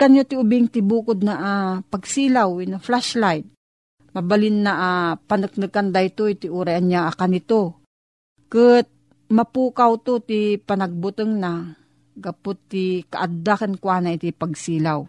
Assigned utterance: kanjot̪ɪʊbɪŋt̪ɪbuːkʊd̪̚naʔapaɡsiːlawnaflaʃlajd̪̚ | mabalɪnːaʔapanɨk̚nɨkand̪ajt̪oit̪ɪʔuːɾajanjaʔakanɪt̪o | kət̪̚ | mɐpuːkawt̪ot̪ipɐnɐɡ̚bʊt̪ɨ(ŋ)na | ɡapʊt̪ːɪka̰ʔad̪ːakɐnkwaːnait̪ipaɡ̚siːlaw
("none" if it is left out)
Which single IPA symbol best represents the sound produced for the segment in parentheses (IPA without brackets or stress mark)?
ŋ